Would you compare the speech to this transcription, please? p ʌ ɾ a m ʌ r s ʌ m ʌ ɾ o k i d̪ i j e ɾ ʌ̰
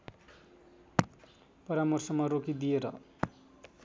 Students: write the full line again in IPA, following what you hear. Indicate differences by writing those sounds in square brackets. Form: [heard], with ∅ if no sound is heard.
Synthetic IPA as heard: p ʌ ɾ a m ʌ r s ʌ m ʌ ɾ o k i d̪ i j e ɾ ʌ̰